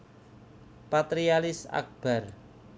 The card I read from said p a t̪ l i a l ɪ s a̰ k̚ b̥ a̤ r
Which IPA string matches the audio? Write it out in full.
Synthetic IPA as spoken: p a t̪ ɾ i a l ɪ s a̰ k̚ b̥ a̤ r